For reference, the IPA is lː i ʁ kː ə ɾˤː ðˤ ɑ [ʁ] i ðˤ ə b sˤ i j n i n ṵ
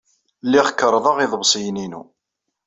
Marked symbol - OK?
yes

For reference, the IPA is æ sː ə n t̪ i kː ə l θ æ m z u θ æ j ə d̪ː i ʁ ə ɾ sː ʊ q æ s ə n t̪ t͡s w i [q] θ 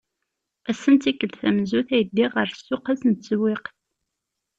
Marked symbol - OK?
yes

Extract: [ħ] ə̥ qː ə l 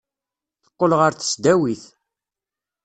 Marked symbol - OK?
no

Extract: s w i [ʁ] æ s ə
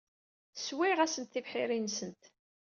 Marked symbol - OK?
yes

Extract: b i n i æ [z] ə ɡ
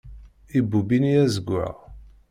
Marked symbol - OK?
yes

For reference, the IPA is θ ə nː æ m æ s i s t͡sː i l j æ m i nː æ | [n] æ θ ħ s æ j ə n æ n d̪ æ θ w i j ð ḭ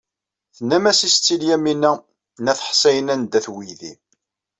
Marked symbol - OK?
yes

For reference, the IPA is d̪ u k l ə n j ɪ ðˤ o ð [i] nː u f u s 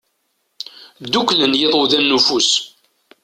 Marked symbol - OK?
no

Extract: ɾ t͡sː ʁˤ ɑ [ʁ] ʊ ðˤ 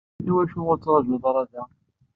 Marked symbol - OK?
no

